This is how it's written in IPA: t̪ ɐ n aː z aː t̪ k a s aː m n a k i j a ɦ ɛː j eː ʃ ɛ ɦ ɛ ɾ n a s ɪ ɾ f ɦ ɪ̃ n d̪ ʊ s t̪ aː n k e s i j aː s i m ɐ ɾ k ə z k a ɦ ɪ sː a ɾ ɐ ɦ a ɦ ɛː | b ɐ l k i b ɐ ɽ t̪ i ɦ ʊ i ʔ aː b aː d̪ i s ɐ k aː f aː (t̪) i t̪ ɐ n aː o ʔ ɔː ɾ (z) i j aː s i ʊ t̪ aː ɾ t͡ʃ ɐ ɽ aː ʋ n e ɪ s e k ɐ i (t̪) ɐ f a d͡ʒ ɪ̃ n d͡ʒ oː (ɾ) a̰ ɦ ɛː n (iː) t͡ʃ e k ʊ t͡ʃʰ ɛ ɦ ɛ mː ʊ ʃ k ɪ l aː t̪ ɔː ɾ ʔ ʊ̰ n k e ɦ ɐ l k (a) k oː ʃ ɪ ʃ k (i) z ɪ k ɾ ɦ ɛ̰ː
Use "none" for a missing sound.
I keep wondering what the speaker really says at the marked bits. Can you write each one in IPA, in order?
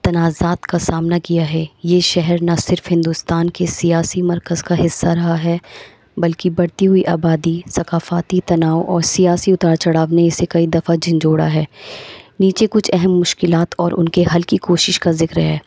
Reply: t̪, s, d̪, ɽ, iː, i, a

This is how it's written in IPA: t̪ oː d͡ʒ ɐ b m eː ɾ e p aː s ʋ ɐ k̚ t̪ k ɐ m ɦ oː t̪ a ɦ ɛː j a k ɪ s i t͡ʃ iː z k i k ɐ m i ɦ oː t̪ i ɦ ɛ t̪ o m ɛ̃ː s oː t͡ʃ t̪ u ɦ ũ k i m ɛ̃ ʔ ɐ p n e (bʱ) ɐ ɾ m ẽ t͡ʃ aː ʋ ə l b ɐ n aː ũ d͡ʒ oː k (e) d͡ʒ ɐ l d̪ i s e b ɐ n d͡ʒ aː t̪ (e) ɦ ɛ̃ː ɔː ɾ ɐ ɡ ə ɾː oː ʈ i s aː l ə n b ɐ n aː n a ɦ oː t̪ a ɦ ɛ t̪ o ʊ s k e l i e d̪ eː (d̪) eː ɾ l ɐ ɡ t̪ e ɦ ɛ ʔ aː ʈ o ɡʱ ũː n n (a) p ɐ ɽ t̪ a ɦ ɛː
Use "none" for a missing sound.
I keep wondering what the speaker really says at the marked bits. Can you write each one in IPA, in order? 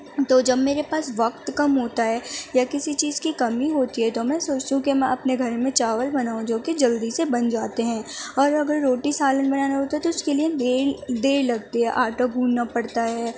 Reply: ɡʱ, e, e, d̪, a

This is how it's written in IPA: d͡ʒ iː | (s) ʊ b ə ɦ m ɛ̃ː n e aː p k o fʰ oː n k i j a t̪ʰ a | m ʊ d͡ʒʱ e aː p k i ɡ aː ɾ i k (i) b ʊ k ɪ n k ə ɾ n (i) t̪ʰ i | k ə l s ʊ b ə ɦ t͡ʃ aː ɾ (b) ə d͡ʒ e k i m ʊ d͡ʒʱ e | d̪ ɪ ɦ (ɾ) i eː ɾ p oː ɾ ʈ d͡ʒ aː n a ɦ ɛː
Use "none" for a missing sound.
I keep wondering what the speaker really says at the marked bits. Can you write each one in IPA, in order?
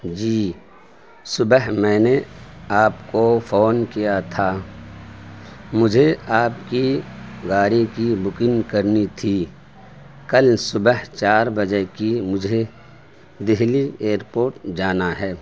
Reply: s, i, i, b, l

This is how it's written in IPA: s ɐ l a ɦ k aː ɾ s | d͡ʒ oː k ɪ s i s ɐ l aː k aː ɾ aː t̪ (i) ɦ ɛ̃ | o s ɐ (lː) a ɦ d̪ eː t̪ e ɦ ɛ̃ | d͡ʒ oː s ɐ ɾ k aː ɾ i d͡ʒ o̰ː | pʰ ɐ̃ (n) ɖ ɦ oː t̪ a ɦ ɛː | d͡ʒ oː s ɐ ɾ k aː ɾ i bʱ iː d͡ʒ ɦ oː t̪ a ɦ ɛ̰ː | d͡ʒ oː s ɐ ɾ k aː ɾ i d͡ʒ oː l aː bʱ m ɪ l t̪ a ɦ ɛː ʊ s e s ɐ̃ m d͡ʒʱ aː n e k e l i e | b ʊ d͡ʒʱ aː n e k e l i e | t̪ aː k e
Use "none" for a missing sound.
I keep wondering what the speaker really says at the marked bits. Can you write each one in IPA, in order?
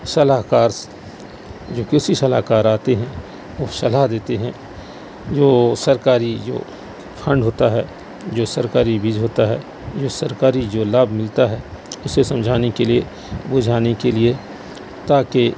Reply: e, l, ɳ

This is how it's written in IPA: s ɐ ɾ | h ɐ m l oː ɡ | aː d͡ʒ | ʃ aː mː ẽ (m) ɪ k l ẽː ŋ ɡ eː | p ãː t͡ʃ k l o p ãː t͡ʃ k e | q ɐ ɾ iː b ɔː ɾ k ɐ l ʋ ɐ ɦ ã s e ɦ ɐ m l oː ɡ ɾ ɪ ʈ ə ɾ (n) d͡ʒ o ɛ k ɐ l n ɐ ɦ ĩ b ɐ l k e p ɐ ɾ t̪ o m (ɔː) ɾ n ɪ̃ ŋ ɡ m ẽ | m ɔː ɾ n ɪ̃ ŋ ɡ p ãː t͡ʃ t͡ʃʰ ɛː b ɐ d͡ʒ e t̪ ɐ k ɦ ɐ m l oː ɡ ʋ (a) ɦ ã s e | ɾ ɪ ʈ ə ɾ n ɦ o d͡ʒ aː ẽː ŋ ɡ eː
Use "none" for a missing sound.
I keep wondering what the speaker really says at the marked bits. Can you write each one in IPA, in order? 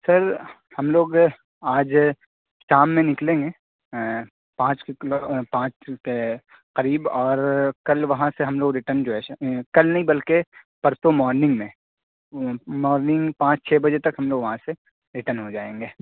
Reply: n, n, ɔː, ɐ

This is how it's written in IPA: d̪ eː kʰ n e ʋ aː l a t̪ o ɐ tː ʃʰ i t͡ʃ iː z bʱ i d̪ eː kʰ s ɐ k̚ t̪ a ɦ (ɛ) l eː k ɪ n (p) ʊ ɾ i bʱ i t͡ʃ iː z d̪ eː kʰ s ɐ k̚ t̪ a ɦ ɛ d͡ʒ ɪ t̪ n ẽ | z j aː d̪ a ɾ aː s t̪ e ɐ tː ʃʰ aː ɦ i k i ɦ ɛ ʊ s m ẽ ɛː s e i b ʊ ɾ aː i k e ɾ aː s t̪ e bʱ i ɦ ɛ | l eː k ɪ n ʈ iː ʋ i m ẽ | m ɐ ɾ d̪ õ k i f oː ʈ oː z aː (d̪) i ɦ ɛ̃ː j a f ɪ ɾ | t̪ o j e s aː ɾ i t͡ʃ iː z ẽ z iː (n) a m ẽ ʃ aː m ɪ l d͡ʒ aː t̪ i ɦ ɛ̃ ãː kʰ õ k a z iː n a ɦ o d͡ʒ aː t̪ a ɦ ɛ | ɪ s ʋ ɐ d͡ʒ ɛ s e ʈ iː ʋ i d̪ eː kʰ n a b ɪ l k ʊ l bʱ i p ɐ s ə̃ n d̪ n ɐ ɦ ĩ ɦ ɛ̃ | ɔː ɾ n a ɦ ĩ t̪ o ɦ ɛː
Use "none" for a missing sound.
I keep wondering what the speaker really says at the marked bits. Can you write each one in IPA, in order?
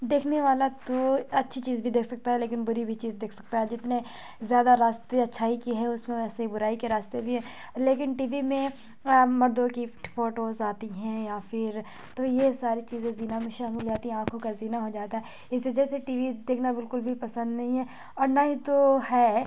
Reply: ɛ, b, t̪, n

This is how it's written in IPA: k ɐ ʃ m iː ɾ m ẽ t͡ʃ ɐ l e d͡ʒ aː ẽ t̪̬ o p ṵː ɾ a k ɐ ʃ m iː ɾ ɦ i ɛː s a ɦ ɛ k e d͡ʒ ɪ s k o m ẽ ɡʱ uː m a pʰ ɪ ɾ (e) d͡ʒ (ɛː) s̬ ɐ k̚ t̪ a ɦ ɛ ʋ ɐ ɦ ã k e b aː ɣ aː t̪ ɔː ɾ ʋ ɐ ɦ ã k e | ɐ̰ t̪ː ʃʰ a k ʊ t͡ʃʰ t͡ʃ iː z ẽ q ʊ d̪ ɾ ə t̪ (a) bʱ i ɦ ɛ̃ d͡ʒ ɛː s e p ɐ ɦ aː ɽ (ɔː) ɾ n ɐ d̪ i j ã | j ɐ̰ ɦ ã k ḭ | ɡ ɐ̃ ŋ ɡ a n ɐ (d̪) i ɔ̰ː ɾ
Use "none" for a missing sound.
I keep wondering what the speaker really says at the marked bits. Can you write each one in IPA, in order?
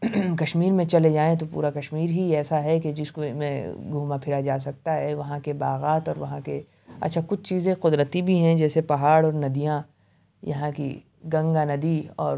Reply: a, aː, i, ɔː, d̪

